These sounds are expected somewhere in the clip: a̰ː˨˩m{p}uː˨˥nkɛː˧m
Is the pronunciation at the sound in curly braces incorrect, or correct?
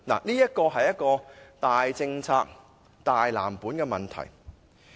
correct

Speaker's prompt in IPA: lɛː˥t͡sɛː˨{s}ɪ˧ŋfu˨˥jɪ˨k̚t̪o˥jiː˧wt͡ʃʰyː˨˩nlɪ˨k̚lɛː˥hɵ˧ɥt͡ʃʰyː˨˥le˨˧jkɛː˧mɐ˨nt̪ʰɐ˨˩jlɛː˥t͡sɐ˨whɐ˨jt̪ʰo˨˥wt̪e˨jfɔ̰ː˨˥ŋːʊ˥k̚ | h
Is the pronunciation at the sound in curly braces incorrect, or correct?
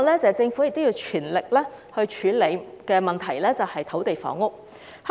incorrect: t͡s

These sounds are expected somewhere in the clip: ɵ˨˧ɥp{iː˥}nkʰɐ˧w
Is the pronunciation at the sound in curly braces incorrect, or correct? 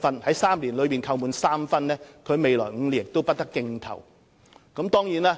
incorrect: iː˨˩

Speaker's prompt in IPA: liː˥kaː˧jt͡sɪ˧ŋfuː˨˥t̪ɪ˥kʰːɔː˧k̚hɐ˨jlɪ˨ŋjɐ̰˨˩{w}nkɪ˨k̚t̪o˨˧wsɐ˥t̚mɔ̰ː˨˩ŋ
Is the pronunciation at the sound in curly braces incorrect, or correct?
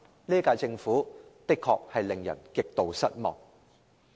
incorrect: none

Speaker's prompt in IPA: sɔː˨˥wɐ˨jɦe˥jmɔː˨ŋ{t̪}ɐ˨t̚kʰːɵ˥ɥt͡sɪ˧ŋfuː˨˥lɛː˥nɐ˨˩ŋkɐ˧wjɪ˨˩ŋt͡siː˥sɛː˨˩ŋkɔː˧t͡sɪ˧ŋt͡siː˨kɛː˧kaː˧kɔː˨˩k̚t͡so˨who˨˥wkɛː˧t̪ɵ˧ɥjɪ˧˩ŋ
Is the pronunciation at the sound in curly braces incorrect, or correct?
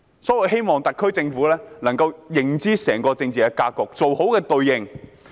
correct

